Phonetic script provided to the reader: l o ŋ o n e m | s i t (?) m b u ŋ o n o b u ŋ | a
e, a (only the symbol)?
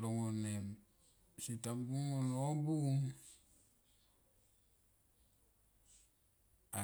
a